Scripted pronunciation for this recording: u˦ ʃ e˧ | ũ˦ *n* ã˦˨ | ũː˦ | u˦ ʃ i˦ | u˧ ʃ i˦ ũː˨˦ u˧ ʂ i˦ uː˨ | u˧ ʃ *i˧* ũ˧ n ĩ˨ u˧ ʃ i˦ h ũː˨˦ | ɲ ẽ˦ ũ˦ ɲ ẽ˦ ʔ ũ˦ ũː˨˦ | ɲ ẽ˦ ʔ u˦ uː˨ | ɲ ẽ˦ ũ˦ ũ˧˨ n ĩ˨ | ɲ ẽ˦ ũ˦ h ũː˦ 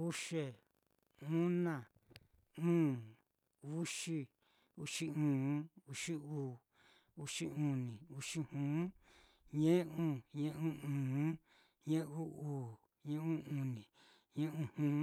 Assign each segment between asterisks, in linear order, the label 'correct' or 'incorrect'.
correct, correct

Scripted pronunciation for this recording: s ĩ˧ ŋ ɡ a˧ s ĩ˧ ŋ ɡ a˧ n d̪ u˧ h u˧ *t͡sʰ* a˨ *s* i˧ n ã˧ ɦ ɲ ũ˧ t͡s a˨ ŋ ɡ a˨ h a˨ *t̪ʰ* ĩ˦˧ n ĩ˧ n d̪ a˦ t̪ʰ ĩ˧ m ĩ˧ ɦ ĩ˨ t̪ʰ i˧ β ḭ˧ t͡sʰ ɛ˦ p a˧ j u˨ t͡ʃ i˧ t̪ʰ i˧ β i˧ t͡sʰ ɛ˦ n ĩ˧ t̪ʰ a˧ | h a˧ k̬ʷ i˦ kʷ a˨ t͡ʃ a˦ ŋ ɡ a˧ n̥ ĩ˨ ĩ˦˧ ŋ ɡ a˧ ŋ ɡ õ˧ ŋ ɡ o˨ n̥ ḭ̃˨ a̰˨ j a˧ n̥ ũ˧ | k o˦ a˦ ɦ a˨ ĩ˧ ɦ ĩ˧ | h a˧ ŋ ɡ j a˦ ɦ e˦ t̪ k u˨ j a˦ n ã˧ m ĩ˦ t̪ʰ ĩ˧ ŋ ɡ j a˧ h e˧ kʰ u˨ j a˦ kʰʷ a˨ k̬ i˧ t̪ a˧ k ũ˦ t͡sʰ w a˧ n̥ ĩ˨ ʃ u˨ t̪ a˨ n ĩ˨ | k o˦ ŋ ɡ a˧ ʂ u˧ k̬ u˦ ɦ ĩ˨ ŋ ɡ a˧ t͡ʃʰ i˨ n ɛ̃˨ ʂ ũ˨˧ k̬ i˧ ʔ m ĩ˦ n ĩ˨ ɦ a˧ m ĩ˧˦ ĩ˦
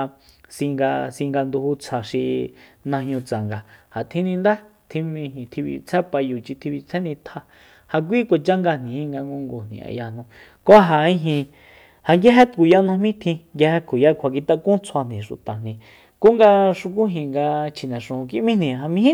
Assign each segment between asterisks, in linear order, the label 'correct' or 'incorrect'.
correct, incorrect: ʃ, correct

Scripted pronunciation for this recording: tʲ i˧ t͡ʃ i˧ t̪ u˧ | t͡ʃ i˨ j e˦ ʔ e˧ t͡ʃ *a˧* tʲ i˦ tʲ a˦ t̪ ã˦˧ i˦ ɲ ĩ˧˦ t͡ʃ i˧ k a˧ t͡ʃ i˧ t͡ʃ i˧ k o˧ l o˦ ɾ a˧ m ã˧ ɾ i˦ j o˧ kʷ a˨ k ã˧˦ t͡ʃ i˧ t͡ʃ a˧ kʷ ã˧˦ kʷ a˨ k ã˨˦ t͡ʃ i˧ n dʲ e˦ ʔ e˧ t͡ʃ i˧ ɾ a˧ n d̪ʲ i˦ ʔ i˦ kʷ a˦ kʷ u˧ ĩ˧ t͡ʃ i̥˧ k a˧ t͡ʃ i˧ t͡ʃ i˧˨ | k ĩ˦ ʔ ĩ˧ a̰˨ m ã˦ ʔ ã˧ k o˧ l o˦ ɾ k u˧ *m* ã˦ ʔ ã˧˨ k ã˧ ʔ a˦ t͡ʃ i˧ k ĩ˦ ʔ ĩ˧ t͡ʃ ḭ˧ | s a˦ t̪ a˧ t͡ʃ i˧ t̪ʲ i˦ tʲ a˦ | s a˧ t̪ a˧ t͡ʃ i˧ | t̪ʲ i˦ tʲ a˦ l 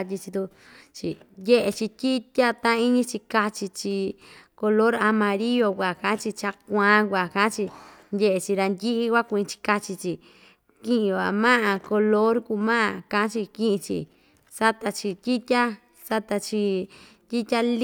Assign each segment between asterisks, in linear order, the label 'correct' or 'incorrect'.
incorrect: i˧, correct

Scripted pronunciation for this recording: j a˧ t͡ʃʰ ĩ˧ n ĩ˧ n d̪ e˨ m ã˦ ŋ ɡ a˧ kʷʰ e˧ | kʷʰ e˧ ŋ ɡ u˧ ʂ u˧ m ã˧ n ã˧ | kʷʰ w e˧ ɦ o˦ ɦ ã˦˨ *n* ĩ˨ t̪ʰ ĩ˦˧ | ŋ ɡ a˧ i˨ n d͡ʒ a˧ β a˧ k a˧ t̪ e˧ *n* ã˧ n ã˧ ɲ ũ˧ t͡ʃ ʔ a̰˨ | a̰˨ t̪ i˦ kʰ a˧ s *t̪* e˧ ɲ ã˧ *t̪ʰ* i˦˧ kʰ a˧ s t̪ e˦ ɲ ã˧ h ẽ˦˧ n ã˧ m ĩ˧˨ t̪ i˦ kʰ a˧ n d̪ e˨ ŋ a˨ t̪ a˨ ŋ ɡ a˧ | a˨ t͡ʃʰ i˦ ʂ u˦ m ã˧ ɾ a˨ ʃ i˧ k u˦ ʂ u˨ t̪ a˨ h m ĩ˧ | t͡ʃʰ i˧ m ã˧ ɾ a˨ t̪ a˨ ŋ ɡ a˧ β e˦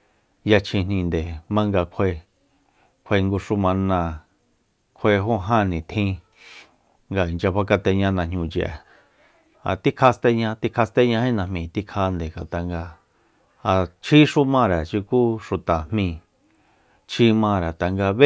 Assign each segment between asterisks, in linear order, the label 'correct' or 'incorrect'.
correct, incorrect: ɲ, correct, incorrect: t̪

